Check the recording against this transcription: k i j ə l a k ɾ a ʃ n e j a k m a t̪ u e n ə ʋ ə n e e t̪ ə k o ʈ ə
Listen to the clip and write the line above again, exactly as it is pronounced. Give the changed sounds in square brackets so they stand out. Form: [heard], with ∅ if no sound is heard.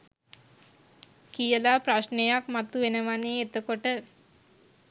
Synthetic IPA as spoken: k i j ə l a [p] ɾ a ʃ n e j a k m a t̪ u e n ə ʋ [a] n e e t̪ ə k o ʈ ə